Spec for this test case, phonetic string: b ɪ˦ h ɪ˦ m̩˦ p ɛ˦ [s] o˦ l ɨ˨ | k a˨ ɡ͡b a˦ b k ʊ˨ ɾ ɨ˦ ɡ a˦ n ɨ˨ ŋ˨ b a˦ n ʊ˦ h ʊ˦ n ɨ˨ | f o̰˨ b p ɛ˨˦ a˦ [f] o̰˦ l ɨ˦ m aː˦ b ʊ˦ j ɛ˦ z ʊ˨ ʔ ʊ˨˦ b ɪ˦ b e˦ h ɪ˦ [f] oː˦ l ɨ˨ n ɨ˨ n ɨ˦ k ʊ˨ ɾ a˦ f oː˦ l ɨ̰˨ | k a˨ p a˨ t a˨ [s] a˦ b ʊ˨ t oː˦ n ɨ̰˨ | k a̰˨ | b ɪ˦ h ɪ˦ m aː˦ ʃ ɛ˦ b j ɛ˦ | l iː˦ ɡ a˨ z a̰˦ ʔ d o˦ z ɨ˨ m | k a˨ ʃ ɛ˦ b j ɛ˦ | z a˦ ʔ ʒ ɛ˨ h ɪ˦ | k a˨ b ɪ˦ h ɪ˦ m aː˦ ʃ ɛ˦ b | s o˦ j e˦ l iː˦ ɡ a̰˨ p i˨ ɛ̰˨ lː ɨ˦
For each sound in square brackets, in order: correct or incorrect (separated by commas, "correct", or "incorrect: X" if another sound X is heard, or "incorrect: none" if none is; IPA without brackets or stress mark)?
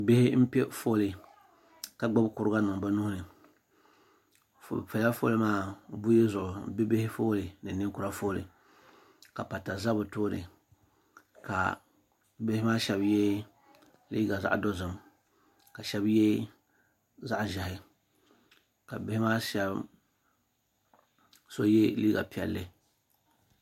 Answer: incorrect: f, correct, correct, incorrect: z